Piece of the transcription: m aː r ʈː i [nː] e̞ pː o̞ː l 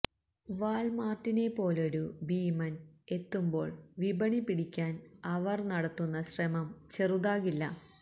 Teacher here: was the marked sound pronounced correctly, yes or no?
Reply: no